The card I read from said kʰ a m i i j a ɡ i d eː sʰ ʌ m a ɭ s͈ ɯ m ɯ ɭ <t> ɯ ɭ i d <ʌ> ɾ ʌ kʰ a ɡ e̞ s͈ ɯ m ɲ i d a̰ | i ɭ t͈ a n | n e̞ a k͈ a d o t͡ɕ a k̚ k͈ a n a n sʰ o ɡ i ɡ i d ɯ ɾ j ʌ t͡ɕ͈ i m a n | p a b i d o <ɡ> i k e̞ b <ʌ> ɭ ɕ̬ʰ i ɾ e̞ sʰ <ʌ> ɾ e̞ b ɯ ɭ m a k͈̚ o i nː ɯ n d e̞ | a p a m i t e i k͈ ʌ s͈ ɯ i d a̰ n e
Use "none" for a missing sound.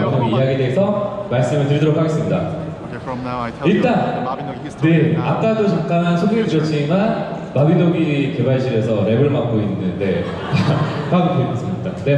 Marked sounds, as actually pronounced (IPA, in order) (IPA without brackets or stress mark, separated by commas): t, ʌ, ɡ, a, ʌ